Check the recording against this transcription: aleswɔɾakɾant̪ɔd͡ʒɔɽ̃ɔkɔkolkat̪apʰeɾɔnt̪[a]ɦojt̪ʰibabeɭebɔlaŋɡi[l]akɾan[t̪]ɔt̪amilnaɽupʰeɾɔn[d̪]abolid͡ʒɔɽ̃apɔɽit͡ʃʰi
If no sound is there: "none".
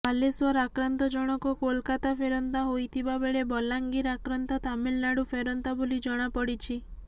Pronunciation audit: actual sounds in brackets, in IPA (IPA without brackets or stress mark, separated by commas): a, ɾ, t̪, t̪